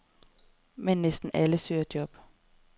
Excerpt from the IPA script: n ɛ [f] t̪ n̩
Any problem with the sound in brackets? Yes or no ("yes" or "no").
yes